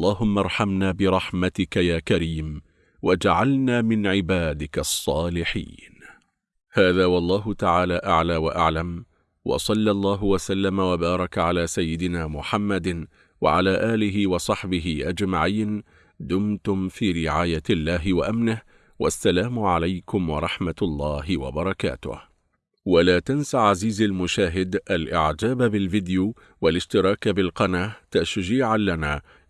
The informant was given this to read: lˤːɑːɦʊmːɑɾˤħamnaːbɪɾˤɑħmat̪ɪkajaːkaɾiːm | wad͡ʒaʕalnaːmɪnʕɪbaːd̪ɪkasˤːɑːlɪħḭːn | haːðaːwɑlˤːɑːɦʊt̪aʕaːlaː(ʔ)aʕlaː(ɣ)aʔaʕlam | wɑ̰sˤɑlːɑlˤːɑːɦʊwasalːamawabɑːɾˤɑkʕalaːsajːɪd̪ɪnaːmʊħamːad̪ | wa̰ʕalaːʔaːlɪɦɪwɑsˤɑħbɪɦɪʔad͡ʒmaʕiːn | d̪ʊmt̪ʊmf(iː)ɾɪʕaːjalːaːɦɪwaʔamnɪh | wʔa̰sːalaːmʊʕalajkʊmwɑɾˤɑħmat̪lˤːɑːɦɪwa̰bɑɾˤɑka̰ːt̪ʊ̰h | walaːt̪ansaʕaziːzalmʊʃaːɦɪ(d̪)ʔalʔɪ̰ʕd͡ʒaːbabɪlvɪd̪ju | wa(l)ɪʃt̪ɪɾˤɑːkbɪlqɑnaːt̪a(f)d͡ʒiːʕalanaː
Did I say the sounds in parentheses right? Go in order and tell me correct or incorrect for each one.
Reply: correct, incorrect, correct, correct, correct, incorrect

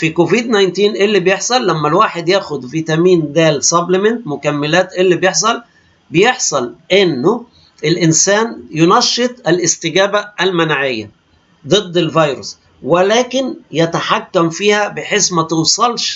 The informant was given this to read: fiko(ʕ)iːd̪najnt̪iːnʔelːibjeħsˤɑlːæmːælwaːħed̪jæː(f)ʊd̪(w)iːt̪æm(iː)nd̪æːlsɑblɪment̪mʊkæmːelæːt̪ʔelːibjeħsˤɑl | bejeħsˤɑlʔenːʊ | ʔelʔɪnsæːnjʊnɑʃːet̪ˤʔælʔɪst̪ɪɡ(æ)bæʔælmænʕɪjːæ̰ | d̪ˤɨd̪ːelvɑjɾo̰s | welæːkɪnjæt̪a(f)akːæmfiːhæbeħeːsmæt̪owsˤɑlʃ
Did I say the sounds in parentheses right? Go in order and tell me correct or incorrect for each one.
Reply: incorrect, incorrect, incorrect, correct, incorrect, incorrect

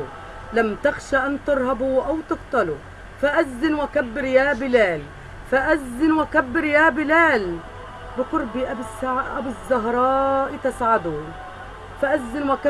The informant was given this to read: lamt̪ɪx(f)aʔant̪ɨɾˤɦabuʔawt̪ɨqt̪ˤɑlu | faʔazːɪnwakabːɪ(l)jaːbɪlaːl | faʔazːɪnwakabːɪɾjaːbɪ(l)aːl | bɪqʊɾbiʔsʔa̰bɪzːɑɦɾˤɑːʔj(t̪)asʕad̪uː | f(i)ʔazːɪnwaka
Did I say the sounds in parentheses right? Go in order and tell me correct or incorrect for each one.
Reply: incorrect, incorrect, correct, correct, incorrect

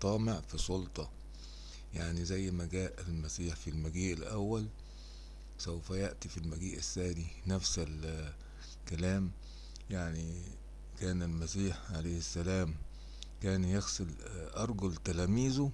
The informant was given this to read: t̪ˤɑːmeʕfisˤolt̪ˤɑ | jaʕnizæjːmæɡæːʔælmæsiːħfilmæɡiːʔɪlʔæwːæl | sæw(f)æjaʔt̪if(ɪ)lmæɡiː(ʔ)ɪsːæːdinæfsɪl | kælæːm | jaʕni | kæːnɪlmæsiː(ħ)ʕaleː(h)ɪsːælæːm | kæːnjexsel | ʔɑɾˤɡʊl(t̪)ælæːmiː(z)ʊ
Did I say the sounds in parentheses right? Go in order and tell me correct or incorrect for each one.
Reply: correct, incorrect, correct, correct, correct, correct, correct

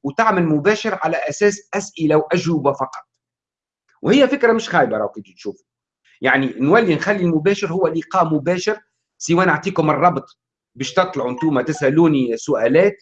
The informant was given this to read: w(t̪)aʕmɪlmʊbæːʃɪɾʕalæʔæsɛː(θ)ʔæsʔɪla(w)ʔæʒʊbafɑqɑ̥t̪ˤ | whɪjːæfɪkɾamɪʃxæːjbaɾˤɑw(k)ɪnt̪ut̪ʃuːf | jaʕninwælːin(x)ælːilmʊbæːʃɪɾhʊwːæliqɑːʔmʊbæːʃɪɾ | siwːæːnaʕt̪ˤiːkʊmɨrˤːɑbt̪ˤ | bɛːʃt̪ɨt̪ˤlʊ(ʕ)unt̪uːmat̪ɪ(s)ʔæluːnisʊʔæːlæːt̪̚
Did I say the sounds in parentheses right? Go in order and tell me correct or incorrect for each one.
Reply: correct, incorrect, correct, correct, correct, correct, correct

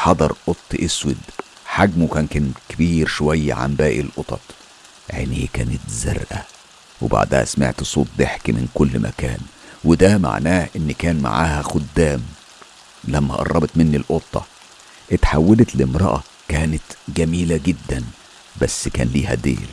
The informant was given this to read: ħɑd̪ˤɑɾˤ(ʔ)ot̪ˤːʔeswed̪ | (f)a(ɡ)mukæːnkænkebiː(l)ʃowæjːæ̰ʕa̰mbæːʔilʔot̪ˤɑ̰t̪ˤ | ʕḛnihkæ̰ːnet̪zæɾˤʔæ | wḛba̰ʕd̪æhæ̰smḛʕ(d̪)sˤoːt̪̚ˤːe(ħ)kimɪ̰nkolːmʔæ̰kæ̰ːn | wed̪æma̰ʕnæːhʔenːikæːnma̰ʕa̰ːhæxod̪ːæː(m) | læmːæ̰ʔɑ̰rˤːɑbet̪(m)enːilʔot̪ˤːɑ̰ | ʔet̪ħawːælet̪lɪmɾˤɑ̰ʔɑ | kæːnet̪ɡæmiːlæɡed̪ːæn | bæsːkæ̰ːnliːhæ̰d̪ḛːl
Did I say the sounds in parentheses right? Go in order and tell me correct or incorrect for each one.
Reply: correct, incorrect, correct, incorrect, incorrect, correct, correct, correct

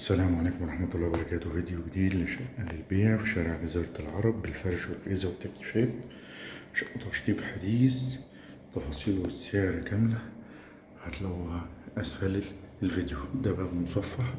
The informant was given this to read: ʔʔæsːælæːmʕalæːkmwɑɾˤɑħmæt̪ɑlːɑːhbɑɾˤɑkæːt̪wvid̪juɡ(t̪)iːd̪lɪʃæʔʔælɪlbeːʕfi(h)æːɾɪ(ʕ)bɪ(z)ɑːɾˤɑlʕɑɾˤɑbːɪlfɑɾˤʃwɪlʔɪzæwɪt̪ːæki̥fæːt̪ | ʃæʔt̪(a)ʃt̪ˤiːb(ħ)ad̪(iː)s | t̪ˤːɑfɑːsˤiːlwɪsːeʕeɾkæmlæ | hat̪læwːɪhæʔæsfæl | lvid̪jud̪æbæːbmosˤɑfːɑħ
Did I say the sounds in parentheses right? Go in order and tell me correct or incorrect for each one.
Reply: incorrect, incorrect, correct, correct, incorrect, correct, correct

